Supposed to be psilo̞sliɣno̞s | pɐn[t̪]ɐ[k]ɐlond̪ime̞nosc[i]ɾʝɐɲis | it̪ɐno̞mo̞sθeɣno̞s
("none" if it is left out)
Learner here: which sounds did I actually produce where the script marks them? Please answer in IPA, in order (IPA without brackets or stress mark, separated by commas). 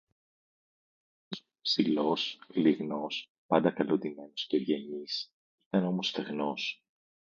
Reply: d̪, k, e